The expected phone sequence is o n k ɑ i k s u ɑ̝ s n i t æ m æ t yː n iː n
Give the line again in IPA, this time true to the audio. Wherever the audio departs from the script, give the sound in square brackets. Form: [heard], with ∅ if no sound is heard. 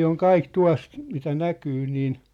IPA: o [ŋ] k ɑ i k [t] u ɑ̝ s [m] i t æ [n] æ [k] yː n iː n

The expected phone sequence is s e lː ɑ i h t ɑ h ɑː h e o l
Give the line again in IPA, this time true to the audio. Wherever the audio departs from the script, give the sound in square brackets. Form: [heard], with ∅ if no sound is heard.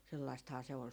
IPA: s e lː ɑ i [s] t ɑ h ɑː [s] e o l

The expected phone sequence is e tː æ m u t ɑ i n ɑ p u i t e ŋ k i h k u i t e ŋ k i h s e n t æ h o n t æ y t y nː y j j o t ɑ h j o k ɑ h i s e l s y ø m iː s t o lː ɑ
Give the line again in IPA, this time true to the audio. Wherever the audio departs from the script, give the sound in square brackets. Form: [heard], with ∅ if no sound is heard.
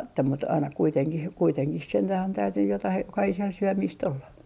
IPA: e tː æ m u t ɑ i n ɑ [k] u i t e ŋ k i h k u i t e ŋ k i h s e n t æ h o n t æ y t y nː y j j o t ɑ h j o k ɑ h i s e l s y ø m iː s t o lː ɑ

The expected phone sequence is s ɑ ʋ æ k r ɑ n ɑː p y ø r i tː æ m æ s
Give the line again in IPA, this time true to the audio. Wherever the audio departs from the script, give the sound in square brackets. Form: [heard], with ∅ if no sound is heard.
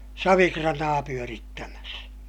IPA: s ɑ ʋ [i] k r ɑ n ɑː p y ø r i tː æ m æ s

